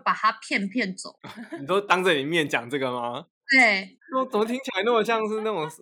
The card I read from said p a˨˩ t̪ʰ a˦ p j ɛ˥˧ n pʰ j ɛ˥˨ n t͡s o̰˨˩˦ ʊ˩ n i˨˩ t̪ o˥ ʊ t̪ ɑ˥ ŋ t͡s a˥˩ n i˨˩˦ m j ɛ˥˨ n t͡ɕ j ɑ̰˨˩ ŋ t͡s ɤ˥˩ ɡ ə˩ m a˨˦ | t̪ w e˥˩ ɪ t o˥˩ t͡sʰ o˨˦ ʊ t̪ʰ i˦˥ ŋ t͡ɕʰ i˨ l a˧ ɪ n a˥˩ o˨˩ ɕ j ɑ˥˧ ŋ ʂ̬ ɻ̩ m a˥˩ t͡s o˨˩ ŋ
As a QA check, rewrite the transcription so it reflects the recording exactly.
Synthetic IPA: p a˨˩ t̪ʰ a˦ pʰ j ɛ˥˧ n pʰ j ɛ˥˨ n t͡s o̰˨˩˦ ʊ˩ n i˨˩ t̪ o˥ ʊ t̪ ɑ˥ ŋ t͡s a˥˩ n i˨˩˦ m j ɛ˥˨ n t͡ɕ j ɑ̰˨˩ ŋ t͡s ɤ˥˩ ɡ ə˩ m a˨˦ | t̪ w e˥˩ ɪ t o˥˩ t͡s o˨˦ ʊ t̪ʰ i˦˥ ŋ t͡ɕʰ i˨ l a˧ ɪ n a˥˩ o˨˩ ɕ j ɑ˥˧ ŋ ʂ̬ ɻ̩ n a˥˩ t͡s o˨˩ ŋ